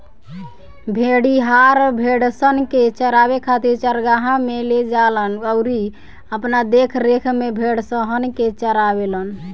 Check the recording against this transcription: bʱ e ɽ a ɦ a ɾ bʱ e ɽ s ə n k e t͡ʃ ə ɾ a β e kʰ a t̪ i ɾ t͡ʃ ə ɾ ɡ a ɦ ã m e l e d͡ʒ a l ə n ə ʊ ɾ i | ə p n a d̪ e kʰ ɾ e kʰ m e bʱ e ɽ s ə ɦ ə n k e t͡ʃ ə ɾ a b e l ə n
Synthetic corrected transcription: bʱ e ɽ i ɦ a ɾ bʱ e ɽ s ə n k e t͡ʃ ə ɾ a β e kʰ a t̪ i ɾ t͡ʃ ə ɾ ɡ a ɦ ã m e l e d͡ʒ a l ə n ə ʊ ɾ i | ə p n a d̪ e kʰ ɾ e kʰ m e bʱ e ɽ s ə ɦ ə n k e t͡ʃ ə ɾ a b e l ə n